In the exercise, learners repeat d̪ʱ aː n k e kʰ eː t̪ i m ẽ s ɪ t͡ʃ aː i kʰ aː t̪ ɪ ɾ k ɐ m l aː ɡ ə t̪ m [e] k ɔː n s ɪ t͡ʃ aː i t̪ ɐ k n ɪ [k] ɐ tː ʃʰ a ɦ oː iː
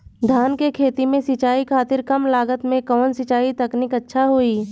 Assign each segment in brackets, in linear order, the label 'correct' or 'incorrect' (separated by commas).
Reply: incorrect, correct